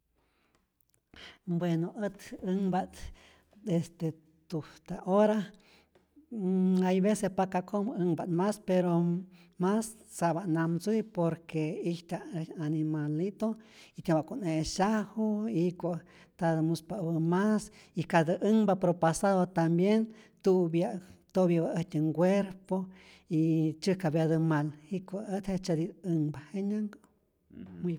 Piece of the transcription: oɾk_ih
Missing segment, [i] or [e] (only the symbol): e